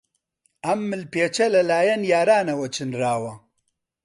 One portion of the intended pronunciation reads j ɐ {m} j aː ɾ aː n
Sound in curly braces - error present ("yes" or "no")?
yes